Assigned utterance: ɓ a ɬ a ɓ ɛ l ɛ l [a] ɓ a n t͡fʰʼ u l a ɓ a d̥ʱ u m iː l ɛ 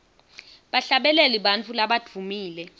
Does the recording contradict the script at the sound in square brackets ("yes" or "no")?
yes